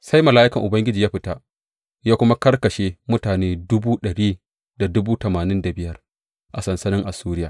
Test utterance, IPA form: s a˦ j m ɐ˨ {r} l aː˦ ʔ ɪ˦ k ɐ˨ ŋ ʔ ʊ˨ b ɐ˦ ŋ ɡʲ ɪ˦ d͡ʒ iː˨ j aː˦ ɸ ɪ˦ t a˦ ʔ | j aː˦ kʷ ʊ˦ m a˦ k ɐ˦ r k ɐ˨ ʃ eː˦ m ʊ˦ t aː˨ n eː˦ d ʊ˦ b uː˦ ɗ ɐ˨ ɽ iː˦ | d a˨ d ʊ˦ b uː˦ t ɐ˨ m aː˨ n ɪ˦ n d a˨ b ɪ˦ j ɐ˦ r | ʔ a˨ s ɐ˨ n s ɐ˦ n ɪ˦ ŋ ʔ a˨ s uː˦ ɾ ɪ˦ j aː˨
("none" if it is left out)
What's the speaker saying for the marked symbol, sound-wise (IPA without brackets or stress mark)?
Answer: none